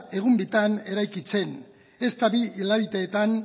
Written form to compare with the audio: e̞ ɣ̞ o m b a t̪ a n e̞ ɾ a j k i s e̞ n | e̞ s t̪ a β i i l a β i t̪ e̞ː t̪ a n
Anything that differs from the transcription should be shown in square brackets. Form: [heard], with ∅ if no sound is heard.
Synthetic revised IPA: e̞ ɣ̞ [u] m b [i] t̪ a n e̞ ɾ a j k i [t͡s] e̞ n | e̞ s t̪ a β i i l a β i t̪ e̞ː t̪ a n